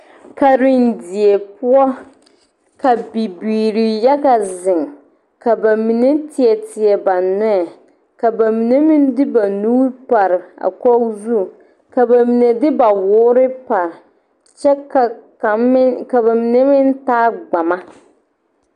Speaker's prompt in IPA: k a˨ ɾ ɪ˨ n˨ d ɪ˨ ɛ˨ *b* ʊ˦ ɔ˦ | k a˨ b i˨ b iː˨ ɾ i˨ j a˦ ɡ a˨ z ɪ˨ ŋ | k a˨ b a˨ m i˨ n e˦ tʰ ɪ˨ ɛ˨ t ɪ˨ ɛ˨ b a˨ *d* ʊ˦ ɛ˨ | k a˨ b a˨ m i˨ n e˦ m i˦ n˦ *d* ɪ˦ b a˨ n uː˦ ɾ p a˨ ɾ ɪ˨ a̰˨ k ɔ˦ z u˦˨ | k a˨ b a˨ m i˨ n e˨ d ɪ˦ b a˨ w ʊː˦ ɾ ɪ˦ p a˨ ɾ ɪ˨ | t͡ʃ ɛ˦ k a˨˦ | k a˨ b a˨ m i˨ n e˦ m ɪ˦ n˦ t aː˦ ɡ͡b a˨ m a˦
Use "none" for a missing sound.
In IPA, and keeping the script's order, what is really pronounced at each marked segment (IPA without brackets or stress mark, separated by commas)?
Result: p, n, d